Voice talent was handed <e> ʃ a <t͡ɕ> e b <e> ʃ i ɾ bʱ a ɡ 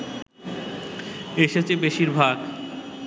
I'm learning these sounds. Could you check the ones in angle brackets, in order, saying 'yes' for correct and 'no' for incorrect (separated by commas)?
yes, yes, yes